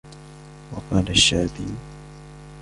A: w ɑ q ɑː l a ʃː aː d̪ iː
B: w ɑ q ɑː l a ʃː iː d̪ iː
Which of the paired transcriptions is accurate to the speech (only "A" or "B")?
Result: A